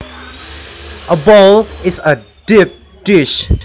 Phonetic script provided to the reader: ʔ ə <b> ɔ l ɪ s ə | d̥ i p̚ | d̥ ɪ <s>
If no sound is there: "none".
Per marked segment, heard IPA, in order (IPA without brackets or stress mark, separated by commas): b, ʃ